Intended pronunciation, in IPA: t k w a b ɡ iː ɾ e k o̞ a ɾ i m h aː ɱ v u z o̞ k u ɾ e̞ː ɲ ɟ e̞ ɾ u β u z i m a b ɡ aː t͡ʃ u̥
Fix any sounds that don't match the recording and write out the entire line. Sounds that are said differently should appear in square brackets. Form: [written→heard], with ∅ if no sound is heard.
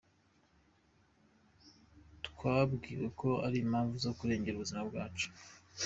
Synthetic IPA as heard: t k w a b ɡ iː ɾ e k o̞ a ɾ i m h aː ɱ v u z o̞ k u ɾ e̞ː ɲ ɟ e̞ ɾ u β u z i m a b ɡ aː t͡ʃ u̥